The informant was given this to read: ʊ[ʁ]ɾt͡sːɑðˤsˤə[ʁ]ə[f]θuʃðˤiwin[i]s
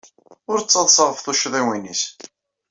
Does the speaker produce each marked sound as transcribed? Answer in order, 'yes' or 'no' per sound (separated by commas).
no, yes, yes, yes